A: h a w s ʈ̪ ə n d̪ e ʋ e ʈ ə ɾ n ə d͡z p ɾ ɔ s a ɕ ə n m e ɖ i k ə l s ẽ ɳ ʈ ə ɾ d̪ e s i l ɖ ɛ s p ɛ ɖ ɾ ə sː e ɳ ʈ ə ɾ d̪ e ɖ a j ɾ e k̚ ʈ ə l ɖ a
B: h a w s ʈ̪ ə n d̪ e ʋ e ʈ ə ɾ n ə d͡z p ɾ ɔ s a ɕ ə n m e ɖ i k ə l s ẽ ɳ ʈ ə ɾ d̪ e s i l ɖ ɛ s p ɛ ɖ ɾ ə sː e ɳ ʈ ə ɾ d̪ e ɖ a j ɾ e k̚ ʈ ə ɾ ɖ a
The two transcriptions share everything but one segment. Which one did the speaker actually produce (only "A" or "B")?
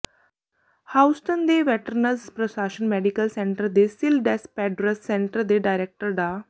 B